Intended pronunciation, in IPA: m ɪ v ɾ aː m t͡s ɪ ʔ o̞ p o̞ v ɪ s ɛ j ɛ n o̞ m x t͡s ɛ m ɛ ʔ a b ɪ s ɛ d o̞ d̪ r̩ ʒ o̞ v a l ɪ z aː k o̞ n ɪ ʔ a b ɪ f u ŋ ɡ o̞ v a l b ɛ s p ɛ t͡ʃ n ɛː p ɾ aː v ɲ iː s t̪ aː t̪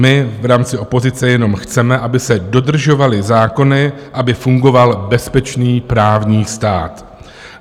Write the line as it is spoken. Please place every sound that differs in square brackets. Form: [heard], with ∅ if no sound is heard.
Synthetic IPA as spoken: m ɪ v ɾ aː m t͡s ɪ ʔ o̞ p o̞ [z] ɪ [t͡s] ɛ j ɛ n o̞ m x t͡s ɛ m ɛ ʔ a b ɪ s ɛ d o̞ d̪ r̩ ʒ o̞ v a l ɪ z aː k o̞ n ɪ ʔ a b ɪ f u ŋ ɡ o̞ v a l b ɛ s p ɛ t͡ʃ n [iː] p ɾ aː v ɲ iː s t̪ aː t̪